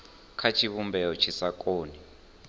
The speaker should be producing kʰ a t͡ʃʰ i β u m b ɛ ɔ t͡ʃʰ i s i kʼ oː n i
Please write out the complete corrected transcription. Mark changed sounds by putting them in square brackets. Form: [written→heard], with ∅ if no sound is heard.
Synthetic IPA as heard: kʰ a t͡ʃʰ i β u m b ɛ ɔ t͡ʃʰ i s [i→a] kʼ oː n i